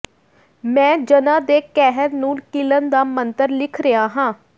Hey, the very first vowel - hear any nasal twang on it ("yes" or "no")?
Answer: yes